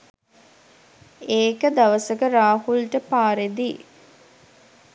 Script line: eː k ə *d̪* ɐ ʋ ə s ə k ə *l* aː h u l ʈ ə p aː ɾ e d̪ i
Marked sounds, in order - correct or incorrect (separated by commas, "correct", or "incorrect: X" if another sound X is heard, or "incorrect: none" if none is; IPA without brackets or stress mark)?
correct, incorrect: ɾ